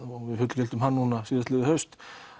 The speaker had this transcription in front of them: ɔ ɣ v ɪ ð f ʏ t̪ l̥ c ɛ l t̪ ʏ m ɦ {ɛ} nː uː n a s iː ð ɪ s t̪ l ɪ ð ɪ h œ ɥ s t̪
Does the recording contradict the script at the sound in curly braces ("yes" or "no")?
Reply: yes